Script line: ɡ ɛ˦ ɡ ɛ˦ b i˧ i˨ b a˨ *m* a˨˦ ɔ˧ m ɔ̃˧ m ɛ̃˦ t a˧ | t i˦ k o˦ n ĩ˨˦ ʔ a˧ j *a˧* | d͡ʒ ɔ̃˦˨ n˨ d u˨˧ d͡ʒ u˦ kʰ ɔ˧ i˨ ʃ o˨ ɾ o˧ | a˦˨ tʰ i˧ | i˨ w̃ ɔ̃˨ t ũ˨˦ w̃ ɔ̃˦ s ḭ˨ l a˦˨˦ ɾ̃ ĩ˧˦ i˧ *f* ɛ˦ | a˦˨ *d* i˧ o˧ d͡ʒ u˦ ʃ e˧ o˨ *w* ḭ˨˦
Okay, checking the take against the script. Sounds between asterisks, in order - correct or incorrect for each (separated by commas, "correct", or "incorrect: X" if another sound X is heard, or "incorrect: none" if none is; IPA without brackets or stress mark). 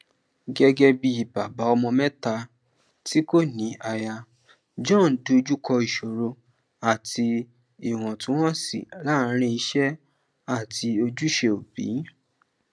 incorrect: b, correct, incorrect: ʃ, incorrect: t, incorrect: b